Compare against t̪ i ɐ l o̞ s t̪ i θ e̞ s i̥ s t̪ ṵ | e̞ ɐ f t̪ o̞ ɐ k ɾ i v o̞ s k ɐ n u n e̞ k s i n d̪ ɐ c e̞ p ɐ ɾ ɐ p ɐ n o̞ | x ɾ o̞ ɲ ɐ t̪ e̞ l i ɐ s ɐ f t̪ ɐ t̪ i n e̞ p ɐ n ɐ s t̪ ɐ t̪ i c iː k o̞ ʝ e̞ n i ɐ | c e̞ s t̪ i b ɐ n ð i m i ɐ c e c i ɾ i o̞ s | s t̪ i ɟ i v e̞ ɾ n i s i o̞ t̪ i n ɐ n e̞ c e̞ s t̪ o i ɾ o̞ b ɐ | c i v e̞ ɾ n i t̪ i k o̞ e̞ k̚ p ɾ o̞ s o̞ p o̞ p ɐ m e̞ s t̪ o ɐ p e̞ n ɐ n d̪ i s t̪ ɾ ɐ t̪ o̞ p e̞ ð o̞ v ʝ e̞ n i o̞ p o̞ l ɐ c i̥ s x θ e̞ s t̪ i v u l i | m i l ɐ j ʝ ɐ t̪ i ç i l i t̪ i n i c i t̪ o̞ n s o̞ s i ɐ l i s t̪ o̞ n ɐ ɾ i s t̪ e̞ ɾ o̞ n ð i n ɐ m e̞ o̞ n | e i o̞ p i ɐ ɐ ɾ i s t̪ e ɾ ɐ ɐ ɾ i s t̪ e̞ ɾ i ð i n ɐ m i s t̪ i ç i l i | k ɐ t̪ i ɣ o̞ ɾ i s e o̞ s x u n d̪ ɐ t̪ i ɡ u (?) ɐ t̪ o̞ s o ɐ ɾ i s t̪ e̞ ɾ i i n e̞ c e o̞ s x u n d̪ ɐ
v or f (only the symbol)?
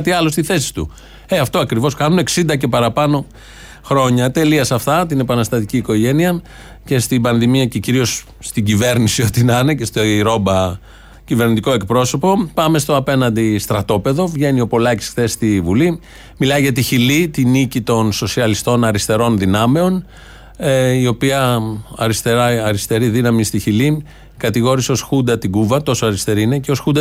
v